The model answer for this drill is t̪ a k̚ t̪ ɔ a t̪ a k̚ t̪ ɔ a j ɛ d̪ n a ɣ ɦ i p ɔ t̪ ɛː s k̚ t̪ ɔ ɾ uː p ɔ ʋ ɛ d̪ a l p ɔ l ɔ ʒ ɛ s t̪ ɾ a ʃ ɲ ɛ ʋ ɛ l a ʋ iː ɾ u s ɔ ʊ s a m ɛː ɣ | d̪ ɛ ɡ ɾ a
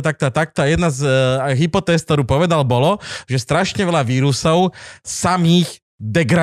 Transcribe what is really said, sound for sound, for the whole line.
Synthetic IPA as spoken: t̪ a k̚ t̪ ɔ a t̪ a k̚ t̪ ɔ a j ɛ d̪ n a z ɦ i p ɔ t̪ ɛː s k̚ t̪ ɔ ɾ uː p ɔ ʋ ɛ d̪ a l b ɔ l ɔ ʒ ɛ s t̪ ɾ a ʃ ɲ ɛ ʋ ɛ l a ʋ iː ɾ u s ɔ ʊ s a m iː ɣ | d̪ ɛ ɡ ɾ a